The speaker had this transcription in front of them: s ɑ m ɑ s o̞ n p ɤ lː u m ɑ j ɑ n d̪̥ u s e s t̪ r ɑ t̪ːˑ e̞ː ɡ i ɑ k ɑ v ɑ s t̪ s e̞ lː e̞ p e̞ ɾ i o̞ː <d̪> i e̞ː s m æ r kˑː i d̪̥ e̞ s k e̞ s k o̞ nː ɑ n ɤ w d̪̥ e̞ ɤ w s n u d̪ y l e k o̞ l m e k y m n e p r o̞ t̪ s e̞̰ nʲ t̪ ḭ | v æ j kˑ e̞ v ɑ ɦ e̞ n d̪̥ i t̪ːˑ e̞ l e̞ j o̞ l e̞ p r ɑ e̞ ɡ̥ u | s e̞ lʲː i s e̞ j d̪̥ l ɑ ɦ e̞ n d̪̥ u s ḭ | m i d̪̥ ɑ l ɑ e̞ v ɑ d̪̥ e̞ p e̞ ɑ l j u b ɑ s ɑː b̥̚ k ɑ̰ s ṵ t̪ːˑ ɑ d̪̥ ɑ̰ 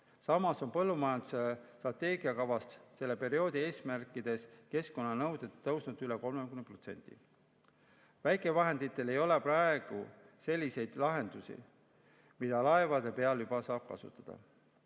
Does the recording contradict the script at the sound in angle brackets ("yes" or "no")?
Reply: no